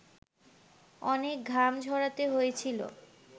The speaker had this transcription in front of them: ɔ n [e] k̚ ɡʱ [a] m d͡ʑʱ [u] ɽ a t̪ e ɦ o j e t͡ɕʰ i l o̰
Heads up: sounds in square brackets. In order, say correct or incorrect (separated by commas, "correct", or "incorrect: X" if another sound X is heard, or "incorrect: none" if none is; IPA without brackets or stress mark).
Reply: correct, correct, incorrect: ɔ